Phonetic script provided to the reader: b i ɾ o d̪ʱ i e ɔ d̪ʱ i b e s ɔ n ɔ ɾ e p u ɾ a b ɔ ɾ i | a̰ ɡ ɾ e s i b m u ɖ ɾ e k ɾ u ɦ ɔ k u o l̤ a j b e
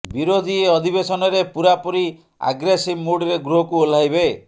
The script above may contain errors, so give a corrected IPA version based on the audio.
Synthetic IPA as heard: b i ɾ o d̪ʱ i e ɔ d̪ʱ i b e s ɔ n ɔ ɾ e p u ɾ a p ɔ ɾ i | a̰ ɡ ɾ e s i b m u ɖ ɾ e ɡ ɾ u ɦ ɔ k u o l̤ a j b e